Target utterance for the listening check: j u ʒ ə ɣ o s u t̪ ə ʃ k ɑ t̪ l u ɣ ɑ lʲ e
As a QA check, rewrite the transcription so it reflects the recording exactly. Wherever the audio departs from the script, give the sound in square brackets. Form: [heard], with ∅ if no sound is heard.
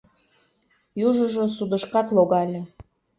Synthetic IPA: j u ʒ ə [ʒ] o s u [d̪] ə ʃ k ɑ t̪ l [o] ɣ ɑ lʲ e